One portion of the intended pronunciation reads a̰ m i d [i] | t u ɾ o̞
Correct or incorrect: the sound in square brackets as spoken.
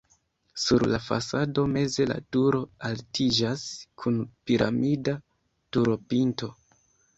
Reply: incorrect: a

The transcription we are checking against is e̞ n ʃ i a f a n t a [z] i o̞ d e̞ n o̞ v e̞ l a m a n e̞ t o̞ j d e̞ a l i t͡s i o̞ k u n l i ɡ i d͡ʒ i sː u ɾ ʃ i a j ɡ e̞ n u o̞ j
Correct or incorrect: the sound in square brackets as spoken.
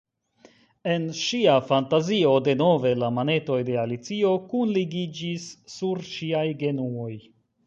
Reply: correct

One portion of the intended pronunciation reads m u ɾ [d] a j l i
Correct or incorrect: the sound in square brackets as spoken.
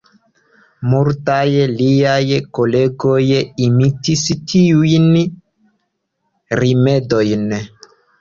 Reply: incorrect: t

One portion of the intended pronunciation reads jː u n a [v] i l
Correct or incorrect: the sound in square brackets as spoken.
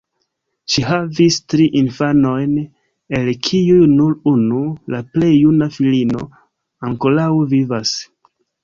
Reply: incorrect: f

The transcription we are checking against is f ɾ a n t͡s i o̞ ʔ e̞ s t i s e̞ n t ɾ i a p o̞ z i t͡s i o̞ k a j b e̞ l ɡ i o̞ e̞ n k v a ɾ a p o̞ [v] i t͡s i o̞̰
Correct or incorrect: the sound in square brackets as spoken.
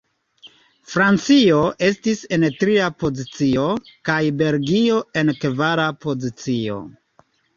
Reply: incorrect: z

